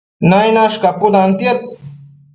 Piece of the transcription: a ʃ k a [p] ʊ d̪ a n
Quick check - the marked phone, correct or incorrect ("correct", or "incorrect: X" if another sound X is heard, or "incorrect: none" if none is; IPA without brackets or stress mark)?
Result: correct